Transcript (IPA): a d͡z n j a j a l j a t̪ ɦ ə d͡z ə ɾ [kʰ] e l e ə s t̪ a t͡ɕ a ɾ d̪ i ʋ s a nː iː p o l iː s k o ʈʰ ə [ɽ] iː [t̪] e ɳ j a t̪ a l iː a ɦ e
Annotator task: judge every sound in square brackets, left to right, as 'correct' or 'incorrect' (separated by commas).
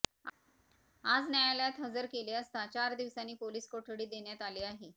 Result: incorrect, correct, incorrect